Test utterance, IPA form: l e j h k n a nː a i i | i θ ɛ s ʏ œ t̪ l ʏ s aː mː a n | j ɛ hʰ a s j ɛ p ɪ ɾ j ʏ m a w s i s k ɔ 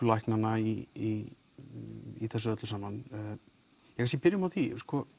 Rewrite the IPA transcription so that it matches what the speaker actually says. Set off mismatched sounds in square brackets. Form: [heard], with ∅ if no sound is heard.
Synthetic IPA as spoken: l [a] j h k n a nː a i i | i θ ɛ s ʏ œ t̪ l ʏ s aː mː a n | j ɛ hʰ a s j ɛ p ɪ ɾ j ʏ m a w [θ] i s k ɔ

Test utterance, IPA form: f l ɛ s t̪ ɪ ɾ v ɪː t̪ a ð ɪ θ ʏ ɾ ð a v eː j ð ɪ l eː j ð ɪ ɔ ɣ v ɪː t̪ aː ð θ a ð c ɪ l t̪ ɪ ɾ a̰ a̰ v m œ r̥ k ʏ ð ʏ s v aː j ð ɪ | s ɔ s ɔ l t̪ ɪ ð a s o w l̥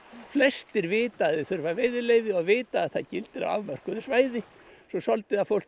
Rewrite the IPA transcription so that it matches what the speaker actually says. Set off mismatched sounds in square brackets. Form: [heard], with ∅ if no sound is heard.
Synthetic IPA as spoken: f l ɛ s t̪ ɪ ɾ v ɪː t̪ a ð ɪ θ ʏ ɾ [v] a v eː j ð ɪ l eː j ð ɪ ɔ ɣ v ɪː t̪ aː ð θ a ð c ɪ l t̪ ɪ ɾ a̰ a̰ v m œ r̥ k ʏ ð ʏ s v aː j ð ɪ | s ɔ s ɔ l t̪ ɪ ð a [f] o w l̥

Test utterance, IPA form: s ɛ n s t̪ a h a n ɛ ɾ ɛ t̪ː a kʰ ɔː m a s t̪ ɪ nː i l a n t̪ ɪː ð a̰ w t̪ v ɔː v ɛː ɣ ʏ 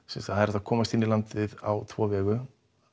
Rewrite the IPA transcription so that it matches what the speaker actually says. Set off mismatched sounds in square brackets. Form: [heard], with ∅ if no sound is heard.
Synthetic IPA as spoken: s ɛ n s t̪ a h a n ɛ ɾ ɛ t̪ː a kʰ ɔː m a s t̪ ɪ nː i l a n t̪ [ɪ] ð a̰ w [t̪ʰ] v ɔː v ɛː ɣ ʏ

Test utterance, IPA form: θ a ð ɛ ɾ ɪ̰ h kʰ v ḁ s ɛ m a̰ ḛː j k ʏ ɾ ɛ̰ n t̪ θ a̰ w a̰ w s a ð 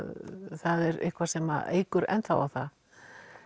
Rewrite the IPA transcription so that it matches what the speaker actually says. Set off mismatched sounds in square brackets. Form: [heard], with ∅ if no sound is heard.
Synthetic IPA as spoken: θ a ð ɛ ɾ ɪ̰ h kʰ v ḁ s ɛ m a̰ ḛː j k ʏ ɾ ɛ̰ n t̪ θ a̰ w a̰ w [θ] a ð

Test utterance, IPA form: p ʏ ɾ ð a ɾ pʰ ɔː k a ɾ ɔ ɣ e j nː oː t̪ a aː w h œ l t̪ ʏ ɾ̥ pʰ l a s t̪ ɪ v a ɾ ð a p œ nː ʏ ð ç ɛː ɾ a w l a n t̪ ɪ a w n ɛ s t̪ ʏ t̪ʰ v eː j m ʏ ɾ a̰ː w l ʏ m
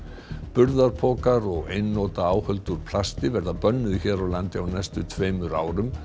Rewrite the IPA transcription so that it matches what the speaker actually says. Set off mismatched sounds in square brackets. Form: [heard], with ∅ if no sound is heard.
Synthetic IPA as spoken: p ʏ ɾ ð a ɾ pʰ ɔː k a ɾ ɔ ɣ e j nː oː t̪ a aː w h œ l t̪ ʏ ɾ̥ pʰ l a s t̪ ɪ v [ɛ] ɾ ð a p œ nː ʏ ð ç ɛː ɾ a w l a n t̪ ɪ a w n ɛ s t̪ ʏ t̪ʰ v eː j m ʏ ɾ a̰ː w [ɾ] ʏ m

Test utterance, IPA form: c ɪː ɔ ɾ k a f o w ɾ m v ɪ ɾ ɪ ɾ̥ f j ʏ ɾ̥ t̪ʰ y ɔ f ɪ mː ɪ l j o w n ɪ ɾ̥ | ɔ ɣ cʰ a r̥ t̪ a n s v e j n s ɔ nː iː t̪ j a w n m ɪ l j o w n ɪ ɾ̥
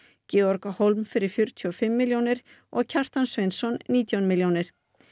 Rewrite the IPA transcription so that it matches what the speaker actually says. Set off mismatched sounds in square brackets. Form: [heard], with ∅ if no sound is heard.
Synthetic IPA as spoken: c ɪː ɔ ɾ k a [h] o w [l] m [f] ɪ ɾ ɪ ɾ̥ f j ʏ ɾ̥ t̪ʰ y ɔ f ɪ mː ɪ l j o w n ɪ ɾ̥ | ɔ ɣ cʰ a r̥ t̪ a n s v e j n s ɔ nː iː t̪ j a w n m ɪ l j o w n ɪ ɾ̥

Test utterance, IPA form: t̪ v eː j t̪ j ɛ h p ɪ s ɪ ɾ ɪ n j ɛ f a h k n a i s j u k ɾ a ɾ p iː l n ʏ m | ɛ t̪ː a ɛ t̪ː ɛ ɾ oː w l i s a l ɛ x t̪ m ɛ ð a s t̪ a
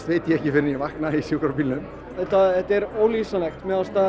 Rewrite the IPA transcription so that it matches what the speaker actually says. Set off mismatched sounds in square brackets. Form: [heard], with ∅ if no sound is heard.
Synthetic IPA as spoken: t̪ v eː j t̪ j ɛ h [c] ɪ [f] ɪ ɾ ɪ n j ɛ [v] a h k n a i s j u k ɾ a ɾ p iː l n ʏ m | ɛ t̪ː a ɛ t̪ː ɛ ɾ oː w l i s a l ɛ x t̪ m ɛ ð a s t̪ a

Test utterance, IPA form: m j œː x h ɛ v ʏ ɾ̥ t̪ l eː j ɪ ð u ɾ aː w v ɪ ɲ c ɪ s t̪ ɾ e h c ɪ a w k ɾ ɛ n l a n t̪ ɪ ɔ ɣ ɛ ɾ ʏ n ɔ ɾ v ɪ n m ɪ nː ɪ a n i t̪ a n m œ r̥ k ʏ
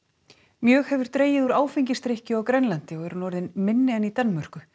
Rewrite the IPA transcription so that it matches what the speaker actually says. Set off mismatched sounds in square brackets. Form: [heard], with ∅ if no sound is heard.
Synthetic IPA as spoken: m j œː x h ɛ v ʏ ɾ̥ t̪ [ɾ] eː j ɪ ð u ɾ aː w [f] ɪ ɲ c ɪ s t̪ ɾ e h c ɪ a w k ɾ ɛ n l a n t̪ ɪ ɔ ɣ ɛ ɾ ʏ n ɔ ɾ [ð] ɪ n m ɪ nː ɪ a n i t̪ a n m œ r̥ k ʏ

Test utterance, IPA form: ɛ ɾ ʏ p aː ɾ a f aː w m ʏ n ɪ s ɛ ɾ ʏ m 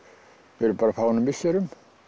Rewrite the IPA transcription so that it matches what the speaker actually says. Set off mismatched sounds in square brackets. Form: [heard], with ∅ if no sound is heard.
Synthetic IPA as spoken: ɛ ɾ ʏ p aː ɾ a f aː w [n] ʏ [m] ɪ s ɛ ɾ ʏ m

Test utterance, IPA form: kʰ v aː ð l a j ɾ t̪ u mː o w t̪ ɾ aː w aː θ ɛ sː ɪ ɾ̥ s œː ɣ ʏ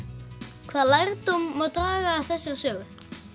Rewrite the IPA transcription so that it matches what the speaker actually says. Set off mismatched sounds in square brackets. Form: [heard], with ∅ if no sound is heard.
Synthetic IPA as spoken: kʰ v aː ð l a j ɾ t̪ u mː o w t̪ ɾ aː [ɣ] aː θ ɛ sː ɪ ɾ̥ s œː ɣ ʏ

